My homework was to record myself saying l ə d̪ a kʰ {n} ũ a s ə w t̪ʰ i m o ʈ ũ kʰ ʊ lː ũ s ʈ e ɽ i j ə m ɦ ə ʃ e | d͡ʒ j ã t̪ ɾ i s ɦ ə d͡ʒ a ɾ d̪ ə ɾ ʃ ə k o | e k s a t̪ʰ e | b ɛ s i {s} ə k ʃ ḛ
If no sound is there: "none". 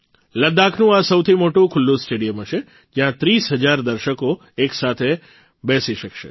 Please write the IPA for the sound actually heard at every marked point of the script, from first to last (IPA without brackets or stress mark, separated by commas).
n, ʃ